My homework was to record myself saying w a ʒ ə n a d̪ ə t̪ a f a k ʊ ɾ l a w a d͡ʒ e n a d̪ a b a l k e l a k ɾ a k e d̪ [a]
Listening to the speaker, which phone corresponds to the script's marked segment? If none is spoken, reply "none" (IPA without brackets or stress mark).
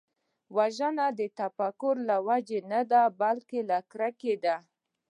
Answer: a